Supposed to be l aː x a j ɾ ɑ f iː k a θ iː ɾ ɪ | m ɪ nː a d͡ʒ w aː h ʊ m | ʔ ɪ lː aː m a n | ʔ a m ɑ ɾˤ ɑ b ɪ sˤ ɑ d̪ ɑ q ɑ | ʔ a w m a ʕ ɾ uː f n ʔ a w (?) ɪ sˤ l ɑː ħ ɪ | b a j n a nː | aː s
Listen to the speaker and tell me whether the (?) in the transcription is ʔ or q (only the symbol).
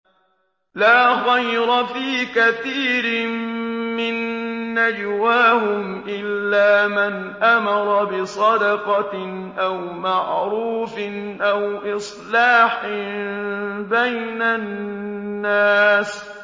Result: ʔ